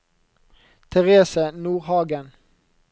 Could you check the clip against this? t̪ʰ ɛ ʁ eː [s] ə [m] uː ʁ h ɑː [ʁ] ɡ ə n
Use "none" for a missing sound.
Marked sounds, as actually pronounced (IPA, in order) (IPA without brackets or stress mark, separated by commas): s, n, none